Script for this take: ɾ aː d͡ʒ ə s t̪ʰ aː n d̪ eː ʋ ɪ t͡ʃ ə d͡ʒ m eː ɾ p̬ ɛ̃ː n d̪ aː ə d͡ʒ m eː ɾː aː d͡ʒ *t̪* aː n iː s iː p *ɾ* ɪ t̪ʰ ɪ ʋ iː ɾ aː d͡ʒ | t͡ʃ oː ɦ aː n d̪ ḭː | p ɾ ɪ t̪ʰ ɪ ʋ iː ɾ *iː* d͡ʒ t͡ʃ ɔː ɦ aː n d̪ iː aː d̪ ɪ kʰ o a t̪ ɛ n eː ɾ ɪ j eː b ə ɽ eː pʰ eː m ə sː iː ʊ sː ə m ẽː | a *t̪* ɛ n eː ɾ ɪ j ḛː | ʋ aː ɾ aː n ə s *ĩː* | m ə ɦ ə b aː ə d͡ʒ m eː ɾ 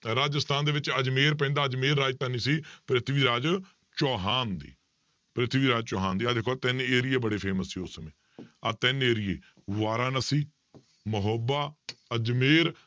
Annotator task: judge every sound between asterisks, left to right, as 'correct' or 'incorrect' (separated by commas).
correct, correct, incorrect, correct, incorrect